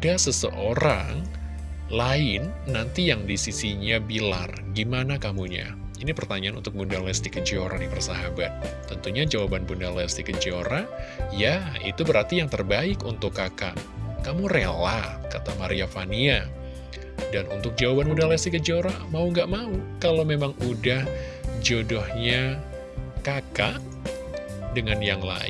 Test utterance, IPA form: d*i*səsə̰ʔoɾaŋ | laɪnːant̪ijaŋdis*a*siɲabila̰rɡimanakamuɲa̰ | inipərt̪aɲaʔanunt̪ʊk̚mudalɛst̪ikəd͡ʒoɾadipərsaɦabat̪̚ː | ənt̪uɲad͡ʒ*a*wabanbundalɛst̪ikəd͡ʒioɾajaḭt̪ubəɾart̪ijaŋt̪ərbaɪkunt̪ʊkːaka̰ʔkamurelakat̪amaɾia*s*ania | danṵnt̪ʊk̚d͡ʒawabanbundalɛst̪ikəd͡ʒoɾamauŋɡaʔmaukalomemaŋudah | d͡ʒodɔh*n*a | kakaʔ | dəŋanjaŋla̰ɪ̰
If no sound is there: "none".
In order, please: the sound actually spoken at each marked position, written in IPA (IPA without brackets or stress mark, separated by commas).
a, i, a, f, ɲ